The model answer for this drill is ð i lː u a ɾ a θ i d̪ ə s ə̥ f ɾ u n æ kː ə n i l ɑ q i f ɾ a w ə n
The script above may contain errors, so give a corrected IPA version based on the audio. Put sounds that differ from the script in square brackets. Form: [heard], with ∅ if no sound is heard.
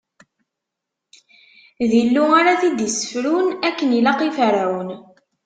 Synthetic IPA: ð i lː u a ɾ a θ i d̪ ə s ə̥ f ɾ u n æ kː ə n i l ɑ q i f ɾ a w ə n